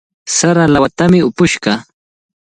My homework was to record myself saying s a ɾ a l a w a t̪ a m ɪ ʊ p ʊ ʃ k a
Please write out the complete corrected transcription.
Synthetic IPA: s a ɾ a l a w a t̪ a m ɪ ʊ p ʊ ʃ k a